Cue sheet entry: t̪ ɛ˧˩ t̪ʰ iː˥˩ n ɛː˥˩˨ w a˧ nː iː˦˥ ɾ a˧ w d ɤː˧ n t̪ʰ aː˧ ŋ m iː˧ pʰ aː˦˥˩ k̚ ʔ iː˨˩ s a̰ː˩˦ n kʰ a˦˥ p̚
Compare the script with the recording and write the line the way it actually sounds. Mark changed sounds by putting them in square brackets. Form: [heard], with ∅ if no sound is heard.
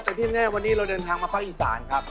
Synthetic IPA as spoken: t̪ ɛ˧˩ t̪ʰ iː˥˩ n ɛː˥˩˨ w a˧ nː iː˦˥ ɾ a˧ w d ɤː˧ n t̪ʰ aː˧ ŋ m [aː˧] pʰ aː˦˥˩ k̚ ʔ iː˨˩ s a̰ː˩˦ n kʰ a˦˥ p̚